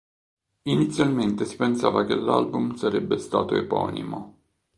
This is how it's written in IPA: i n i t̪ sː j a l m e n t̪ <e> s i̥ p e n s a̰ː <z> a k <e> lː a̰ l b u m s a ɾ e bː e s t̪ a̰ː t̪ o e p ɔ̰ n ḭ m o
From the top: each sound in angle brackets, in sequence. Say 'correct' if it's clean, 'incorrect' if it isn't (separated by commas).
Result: correct, incorrect, correct